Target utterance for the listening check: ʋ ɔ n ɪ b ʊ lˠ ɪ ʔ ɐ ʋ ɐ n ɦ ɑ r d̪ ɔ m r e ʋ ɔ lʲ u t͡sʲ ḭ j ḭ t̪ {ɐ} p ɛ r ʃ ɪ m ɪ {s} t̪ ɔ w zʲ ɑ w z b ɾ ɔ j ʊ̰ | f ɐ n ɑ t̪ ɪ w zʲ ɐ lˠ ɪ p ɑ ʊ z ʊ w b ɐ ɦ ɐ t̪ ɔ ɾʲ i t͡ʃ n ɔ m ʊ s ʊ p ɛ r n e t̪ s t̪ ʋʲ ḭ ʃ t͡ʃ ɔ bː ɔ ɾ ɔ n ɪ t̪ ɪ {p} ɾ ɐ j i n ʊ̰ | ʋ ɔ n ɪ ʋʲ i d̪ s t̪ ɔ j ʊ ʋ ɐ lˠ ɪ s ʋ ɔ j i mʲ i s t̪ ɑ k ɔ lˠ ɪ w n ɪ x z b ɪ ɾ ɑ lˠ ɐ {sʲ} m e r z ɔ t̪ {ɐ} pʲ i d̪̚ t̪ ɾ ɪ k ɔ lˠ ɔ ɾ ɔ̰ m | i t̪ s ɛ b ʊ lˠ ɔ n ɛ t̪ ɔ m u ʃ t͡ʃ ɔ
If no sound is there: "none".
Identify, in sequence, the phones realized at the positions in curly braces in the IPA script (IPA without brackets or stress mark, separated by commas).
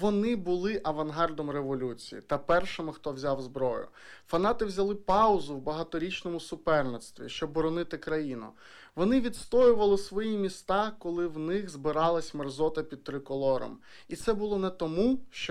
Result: ɐ, x, k, sʲ, ɐ